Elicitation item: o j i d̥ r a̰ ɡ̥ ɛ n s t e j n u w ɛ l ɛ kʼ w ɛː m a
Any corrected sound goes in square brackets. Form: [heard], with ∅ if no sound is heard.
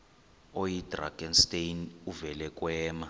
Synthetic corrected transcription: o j i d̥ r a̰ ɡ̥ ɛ n s t e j n u [v] ɛ l ɛ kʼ w ɛː m a